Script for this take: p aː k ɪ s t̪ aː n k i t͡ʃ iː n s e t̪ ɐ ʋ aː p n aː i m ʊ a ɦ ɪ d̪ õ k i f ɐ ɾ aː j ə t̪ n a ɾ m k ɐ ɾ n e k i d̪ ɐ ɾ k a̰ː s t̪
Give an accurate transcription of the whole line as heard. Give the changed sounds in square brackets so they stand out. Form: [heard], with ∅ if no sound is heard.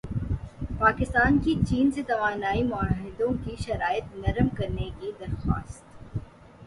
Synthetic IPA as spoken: p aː k ɪ s t̪ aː n k i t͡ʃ iː n s e t̪ ɐ ʋ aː [∅] n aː i m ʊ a ɦ ɪ d̪ õ k i [ʃ] ɐ ɾ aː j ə t̪ n [ɐ] ɾ m k ɐ ɾ n e k i d̪ ɐ ɾ [x] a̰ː s t̪

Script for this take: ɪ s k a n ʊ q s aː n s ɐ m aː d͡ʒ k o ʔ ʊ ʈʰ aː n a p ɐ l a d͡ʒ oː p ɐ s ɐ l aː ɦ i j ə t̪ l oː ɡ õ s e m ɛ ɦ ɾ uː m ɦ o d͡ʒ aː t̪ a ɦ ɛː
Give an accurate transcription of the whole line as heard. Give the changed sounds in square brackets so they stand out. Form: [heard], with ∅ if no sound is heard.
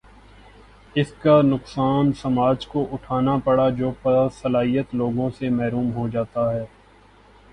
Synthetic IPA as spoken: ɪ s k a n ʊ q s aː n s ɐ m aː d͡ʒ k o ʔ ʊ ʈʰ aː n a p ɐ [ɽ] a d͡ʒ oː p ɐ s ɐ l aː ɦ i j ə t̪ l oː ɡ õ s e m ɛ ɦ ɾ uː m ɦ o d͡ʒ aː t̪ a ɦ ɛː

